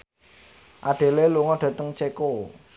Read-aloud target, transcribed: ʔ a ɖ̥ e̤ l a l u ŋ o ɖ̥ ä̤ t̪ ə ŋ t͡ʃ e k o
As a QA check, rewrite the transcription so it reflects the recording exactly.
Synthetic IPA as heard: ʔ a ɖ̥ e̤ l e l u ŋ ɔ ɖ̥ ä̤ t̪ ə ŋ t͡ʃ e k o

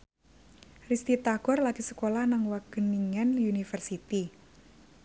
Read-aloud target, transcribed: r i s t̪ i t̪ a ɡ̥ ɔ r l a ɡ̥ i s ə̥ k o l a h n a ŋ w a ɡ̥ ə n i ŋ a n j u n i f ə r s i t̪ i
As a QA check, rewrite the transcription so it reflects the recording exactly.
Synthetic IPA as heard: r i s t̪ i t̪ a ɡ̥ ɔ r l a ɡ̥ i s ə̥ k o l a h n a ŋ w a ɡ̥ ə n i ŋ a n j u n i f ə r s i t̪ i

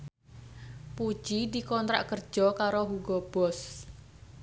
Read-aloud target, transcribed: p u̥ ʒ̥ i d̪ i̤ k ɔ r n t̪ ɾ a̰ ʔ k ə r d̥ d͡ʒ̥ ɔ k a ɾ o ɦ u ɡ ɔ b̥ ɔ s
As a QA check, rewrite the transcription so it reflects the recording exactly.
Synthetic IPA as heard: p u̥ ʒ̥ i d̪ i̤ k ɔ n t̪ ɾ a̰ ʔ k ə r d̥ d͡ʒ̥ ɔ k a ɾ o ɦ u ɡ ɔ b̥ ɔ s

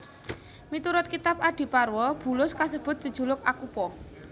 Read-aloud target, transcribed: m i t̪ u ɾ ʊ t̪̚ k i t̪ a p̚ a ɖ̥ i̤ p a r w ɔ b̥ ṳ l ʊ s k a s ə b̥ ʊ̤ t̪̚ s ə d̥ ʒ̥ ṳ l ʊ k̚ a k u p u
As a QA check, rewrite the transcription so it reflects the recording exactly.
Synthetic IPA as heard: m i t̪ u ɾ ʊ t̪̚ k i t̪ a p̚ a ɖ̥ i̤ p a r w ɔ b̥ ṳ l ʊ s k a s ə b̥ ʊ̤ t̪̚ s ə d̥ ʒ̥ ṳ l ʊ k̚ a k u p ɔ

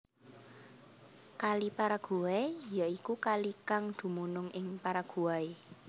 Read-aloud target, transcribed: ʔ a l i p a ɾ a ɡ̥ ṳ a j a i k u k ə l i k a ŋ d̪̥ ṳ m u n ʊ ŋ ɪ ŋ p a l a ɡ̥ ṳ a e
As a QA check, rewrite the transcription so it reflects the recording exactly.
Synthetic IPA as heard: k a l i p a ɾ a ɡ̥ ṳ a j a i k u k a l i k a ŋ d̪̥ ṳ m u n ʊ ŋ ɪ ŋ p a ɾ a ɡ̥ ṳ a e

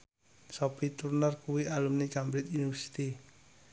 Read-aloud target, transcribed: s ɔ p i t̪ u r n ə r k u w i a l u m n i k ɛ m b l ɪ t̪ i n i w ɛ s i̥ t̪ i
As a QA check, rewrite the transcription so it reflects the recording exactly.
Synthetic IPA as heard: s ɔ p i t̪ u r n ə r k u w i a l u m n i k a m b ɾ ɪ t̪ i n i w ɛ s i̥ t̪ i

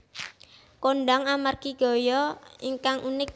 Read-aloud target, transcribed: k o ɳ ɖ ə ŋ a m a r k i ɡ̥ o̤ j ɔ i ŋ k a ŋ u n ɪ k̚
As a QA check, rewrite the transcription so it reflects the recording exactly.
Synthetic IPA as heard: k o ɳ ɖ a ŋ a m a r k i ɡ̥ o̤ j ɔ i ŋ k a ŋ u n ɪ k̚

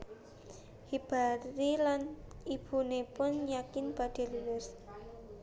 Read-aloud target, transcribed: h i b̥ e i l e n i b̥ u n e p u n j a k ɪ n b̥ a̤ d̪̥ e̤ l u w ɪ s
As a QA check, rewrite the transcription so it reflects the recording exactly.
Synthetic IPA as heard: h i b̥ a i l a n i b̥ u n e p ʊ n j a k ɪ n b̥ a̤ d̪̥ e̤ l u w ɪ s

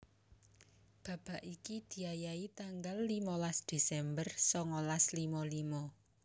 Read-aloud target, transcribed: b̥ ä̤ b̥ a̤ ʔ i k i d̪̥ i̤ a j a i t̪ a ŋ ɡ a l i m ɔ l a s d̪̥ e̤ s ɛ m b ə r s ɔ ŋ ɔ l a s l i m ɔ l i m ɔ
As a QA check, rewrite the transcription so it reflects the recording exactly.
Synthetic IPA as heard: b̥ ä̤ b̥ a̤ ʔ i k i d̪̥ i̤ a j a i t̪ a ŋ ɡ a lː i m ɔ l a s d̪̥ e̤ s ɛ m b ə r s ɔ ŋ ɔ l a s l i m ɔ l i m ɔ

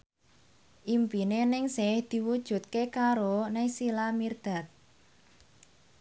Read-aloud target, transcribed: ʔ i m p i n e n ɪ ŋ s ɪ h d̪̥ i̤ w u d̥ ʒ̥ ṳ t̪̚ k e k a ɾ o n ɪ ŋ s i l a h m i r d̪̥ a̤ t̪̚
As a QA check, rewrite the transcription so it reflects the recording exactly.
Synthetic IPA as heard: ʔ i m p i n e n ɪ ŋ s ɪ h d̪̥ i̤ w u d̥ ʒ̥ ṳ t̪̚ k e k a ɾ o n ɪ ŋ s i l a m i r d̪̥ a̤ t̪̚

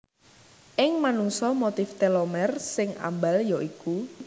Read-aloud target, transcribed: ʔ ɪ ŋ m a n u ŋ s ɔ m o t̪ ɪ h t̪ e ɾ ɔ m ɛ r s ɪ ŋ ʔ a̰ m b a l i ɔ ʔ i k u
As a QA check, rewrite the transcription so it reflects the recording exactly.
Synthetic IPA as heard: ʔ ɪ ŋ m a n u ŋ s ɔ m o t̪ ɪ f t̪ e l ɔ m ɛ r s ɪ ŋ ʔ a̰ m b a l j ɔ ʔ i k u

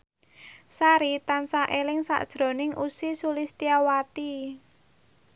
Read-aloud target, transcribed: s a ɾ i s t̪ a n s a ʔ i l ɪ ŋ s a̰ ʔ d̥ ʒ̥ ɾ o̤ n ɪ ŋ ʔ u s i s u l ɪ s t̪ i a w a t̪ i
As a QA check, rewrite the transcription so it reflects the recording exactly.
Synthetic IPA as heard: s a ɾ i t̪ a n s a ʔ e l ɪ ŋ s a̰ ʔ d̥ ʒ̥ ɾ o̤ n ɪ ŋ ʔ u s i s u l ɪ s t̪ i a w a t̪ i

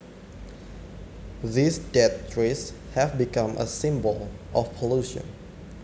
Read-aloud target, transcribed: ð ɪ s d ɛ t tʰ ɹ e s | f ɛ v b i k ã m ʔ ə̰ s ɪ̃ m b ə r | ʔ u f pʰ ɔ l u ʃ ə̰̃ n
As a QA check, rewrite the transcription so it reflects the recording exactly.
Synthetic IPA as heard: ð i s d ɛ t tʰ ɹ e s | h ɛ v b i k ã m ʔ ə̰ s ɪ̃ m b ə l | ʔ ɔ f pʰ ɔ l u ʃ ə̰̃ n

